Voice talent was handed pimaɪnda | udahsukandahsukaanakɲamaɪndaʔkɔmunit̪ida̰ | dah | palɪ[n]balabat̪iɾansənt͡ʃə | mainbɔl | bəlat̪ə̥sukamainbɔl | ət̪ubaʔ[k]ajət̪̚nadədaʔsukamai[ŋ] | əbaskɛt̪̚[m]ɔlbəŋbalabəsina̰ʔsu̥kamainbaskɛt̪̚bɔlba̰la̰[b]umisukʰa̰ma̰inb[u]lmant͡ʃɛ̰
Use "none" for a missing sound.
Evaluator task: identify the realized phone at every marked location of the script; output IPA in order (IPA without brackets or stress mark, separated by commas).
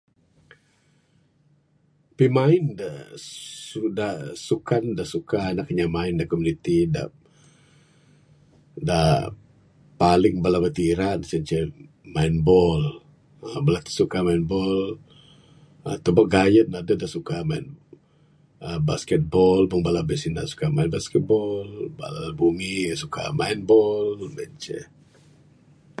ŋ, ɡ, n, b, b, ɔ